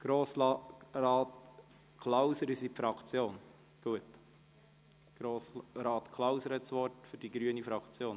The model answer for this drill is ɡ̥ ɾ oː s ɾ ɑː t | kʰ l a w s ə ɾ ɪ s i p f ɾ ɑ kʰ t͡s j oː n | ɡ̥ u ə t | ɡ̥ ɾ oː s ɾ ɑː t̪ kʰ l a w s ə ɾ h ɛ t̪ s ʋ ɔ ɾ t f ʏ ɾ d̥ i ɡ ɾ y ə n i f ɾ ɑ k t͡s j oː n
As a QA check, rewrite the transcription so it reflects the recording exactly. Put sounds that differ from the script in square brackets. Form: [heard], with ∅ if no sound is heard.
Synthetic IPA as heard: ɡ̥ ɾ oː s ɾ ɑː t | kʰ l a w s ə ɾ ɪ s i p f ɾ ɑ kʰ t͡s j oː n | ɡ̥ u ə t | ɡ̥ ɾ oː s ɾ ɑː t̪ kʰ l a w s ə ɾ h ɛ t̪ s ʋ ɔ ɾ t f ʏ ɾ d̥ i ɡ ɾ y ə n i f ɾ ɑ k t͡s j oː n